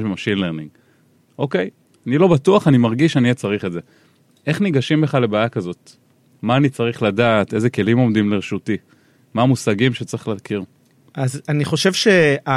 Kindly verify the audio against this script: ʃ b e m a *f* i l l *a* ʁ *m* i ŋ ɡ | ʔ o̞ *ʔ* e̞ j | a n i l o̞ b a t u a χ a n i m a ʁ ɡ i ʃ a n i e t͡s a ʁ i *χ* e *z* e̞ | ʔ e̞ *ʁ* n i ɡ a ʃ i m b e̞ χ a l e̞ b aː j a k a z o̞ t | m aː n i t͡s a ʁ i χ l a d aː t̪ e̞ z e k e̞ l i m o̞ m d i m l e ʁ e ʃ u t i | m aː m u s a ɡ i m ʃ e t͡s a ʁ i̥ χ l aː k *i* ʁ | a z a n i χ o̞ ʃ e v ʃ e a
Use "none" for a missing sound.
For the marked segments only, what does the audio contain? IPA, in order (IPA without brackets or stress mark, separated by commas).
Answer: ʃ, e, n, k, χ, z, χ, i